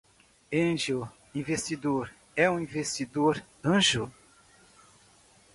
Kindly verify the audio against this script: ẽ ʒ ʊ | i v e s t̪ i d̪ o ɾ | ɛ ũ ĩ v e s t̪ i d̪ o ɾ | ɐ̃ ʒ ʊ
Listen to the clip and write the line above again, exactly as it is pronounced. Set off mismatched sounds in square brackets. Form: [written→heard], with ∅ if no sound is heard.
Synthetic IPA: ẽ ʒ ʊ | [i→ĩ] v e s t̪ i d̪ o ɾ | ɛ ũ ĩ v e s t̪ i d̪ o ɾ | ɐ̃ ʒ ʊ